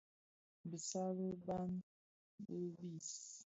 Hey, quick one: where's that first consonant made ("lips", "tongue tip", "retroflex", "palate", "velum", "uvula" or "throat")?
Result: lips